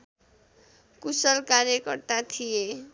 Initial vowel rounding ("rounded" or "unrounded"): rounded